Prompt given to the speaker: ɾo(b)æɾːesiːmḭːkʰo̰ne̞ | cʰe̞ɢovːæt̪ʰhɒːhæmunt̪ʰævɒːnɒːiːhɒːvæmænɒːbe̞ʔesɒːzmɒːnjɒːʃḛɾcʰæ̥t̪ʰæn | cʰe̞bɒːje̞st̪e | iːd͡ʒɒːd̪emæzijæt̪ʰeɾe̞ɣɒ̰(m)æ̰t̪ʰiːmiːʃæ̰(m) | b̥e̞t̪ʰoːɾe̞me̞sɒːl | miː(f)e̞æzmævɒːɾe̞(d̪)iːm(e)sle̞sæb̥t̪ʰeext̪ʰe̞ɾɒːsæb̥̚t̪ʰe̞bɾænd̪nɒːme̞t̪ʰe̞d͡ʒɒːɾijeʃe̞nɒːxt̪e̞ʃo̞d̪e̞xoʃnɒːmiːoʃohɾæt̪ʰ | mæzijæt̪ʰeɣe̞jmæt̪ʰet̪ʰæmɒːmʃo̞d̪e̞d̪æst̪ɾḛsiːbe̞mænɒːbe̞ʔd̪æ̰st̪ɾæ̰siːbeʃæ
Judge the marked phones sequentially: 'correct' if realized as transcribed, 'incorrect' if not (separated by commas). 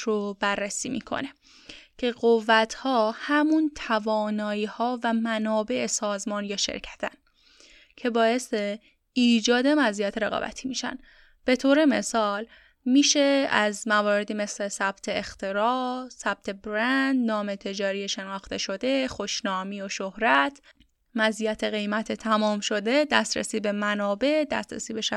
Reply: correct, incorrect, incorrect, incorrect, correct, correct